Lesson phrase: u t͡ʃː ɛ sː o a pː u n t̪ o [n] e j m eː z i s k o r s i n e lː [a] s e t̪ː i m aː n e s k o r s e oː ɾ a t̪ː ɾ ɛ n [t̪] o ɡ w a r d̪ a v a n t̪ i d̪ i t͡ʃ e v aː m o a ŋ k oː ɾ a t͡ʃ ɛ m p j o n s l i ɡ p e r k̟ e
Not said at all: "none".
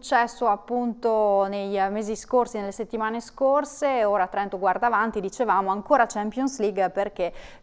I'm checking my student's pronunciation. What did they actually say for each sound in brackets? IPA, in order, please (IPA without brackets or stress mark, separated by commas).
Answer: n, e, t̪